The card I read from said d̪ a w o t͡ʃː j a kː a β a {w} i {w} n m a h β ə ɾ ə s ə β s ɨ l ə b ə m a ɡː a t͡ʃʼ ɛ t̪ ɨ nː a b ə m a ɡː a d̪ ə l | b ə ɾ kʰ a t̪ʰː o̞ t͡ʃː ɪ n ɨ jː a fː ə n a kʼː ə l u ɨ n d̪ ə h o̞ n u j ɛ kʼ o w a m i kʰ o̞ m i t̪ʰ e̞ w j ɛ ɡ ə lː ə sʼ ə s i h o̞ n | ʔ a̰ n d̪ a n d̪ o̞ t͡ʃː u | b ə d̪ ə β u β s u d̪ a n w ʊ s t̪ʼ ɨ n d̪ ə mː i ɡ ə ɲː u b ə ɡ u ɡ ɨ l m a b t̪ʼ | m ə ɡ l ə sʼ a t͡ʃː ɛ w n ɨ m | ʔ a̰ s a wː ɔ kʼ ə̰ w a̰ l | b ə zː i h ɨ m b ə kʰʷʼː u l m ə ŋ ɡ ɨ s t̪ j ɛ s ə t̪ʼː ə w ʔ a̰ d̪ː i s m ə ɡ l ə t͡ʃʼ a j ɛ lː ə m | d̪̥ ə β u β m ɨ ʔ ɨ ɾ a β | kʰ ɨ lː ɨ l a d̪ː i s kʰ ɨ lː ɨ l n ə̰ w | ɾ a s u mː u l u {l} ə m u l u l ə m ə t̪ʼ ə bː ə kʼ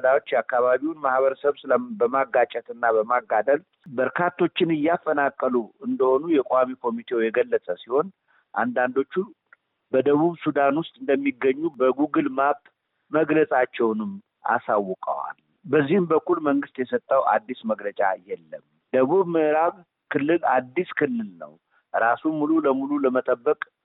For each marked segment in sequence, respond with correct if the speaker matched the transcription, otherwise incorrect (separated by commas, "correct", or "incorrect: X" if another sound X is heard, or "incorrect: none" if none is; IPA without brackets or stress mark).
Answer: incorrect: β, correct, correct